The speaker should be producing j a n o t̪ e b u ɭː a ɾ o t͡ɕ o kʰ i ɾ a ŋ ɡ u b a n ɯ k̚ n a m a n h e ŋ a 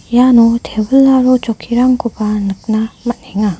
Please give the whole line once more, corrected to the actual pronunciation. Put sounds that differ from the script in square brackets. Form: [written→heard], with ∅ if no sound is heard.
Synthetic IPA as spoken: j a n o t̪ e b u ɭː a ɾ o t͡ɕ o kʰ i ɾ a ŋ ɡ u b a n ɯ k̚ n a m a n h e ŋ a